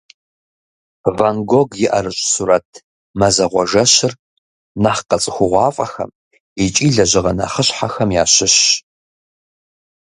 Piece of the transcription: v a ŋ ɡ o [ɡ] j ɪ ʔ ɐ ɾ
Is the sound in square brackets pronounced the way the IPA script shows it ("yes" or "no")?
yes